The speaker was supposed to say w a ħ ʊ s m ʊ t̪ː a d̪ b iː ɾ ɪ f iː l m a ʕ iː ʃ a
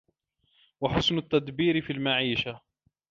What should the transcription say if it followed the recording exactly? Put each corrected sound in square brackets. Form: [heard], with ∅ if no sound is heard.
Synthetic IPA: w a ħ ʊ s [n] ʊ t̪ː a d̪ b iː ɾ ɪ f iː l m a ʕ iː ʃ a